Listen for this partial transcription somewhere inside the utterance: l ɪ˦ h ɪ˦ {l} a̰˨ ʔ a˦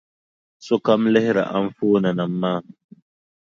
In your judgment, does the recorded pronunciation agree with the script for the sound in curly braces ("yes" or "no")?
no